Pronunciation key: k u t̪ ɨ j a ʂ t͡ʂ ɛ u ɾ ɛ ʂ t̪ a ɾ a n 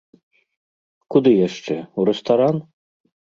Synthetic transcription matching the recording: k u d̪ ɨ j a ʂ t͡ʂ ɛ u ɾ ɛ s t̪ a ɾ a n